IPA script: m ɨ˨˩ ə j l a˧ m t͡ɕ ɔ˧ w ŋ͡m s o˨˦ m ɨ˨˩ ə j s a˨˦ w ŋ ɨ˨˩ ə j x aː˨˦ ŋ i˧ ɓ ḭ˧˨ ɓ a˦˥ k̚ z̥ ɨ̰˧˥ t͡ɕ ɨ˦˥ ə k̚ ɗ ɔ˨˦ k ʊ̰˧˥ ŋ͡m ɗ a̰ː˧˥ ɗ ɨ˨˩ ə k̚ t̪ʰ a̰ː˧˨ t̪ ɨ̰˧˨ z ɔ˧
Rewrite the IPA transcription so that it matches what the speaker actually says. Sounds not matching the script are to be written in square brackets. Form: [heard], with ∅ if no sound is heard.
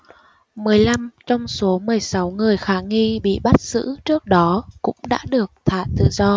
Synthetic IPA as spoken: m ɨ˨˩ ə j l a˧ m t͡ɕ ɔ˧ w ŋ͡m s o˨˦ m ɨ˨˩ ə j s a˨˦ w ŋ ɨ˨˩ ə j x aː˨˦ ŋ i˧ ɓ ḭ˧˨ ɓ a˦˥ [t̚] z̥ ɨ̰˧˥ t͡ɕ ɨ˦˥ ə k̚ ɗ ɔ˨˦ k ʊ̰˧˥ ŋ͡m ɗ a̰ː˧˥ ɗ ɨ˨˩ ə k̚ t̪ʰ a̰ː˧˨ t̪ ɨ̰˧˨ z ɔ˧